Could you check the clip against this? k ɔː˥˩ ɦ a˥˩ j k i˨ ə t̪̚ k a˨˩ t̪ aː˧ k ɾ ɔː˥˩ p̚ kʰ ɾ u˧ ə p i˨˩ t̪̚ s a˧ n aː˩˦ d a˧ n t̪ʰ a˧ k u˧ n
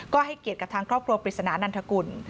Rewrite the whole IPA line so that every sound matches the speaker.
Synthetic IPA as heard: k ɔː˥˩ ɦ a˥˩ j k i˨ ə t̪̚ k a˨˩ t̪ʰ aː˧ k ɾ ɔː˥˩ p̚ kʰ ɾ u˧ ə p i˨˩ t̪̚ s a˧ n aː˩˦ n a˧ n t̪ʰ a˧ k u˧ n